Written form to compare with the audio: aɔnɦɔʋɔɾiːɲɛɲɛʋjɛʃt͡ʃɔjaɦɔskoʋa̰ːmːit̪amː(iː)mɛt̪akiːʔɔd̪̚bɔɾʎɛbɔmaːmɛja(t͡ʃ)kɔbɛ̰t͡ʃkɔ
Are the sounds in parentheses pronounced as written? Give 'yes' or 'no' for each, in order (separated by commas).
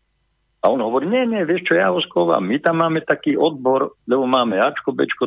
no, yes